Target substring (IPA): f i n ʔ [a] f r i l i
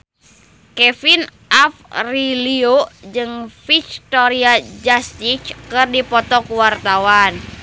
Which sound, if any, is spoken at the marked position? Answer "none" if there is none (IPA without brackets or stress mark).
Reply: a